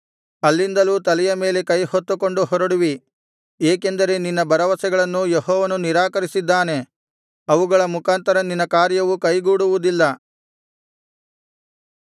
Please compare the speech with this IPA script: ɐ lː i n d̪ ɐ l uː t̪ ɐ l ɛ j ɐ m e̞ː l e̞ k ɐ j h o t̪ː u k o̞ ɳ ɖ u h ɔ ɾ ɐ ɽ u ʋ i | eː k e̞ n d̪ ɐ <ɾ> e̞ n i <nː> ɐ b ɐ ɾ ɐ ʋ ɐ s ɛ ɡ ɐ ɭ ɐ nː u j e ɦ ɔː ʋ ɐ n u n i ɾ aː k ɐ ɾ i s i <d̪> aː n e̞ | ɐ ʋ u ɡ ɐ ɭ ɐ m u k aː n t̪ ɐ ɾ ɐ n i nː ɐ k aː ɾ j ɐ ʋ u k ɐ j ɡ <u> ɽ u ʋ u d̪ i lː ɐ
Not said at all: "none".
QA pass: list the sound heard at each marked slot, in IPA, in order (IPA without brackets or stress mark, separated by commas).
ɾ, nː, d̪ː, uː